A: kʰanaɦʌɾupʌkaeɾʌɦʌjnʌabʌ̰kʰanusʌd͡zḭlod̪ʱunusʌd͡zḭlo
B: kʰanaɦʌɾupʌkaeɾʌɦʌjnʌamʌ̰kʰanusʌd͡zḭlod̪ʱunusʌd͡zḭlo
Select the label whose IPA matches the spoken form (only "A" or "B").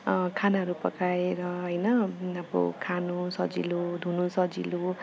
A